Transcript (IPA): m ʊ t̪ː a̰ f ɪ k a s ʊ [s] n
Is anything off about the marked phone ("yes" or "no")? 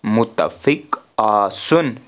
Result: yes